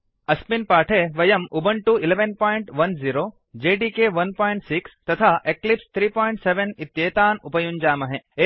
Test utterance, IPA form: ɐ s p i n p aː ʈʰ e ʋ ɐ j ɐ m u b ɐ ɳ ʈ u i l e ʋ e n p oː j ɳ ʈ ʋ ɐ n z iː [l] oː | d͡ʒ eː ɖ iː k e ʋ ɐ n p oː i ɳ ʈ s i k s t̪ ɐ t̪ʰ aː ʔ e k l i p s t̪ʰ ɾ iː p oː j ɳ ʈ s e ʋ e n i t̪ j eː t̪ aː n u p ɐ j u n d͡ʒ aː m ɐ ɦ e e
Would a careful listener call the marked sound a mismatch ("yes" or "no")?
yes